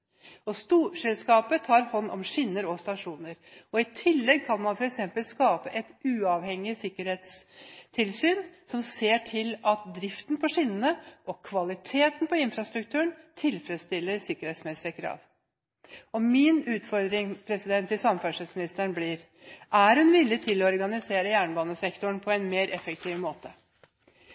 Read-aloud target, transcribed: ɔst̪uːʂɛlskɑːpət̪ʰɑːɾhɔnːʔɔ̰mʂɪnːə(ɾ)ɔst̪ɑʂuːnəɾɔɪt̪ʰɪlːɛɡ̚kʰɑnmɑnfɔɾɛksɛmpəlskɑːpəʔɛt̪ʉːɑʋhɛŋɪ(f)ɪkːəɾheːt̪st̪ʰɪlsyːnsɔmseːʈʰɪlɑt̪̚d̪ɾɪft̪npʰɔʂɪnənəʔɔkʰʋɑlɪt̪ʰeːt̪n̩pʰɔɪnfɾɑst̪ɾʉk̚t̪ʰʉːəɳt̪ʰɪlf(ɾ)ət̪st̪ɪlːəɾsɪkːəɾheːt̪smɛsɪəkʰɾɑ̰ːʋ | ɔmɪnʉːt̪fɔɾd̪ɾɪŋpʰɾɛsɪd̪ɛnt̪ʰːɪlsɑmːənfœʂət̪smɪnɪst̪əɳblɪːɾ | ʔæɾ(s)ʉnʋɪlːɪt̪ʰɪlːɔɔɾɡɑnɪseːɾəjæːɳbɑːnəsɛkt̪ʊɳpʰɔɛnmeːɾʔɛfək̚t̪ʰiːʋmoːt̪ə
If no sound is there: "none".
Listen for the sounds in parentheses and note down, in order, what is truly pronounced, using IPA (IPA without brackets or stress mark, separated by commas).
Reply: ɾ, s, ɾ, h